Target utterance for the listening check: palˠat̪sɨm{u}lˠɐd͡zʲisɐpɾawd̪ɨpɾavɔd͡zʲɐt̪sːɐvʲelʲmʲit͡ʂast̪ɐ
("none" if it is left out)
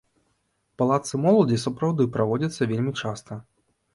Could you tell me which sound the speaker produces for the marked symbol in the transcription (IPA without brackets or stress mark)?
ɔ